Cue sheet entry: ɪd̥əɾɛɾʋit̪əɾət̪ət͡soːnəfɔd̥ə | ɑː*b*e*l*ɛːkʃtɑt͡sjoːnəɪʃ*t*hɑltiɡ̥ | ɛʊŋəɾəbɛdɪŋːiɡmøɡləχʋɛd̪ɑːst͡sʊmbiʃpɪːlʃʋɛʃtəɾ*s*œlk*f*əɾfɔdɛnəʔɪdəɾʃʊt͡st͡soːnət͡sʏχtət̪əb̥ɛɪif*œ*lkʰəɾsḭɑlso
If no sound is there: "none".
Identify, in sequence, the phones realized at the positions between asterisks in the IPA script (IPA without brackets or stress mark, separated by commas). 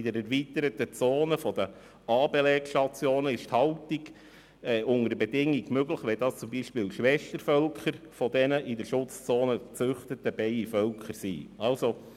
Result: b, l, t, f, χ, œ